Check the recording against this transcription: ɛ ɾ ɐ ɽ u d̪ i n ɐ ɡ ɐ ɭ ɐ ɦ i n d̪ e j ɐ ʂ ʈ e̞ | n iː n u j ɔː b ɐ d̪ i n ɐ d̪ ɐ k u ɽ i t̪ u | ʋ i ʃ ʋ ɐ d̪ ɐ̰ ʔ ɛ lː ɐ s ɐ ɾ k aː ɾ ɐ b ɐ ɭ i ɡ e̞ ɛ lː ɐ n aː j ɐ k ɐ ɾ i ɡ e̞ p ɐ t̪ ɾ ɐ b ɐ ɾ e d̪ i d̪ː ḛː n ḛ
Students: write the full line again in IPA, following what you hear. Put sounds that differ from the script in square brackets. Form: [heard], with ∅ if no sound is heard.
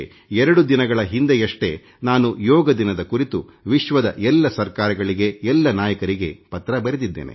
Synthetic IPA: ɛ ɾ ɐ ɽ u d̪ i n ɐ ɡ ɐ ɭ ɐ ɦ i n d̪ e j ɐ ʂ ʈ e̞ | n [aː] n u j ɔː [ɡ] ɐ d̪ i n ɐ d̪ ɐ k u [ɾ] i t̪ u | ʋ i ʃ ʋ ɐ d̪ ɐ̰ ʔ ɛ lː ɐ s ɐ ɾ k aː ɾ ɐ [ɡ] ɐ ɭ i ɡ e̞ ɛ lː ɐ n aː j ɐ k ɐ ɾ i ɡ e̞ p ɐ t̪ ɾ ɐ b ɐ ɾ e d̪ i d̪ː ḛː n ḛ